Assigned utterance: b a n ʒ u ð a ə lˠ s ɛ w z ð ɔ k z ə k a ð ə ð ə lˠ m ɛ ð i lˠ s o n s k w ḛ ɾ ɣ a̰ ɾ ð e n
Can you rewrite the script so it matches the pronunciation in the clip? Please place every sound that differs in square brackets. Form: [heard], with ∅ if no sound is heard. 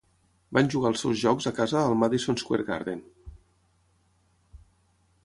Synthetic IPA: b a n ʒ u [ɣ] a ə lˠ s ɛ w z [ʒ] ɔ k z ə k a [z] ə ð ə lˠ m [a] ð i [∅] s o n s k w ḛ ɾ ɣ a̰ ɾ ð e n